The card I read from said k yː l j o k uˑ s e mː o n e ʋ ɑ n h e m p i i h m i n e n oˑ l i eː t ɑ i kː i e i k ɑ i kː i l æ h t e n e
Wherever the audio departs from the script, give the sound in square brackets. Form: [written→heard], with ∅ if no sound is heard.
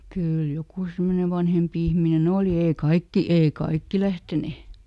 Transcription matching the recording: k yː l j o k uˑ s e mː o n e ʋ ɑ n h e m p i i h m i n e n oˑ l i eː [t→k] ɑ i kː i e i k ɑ i kː i l æ h t e n e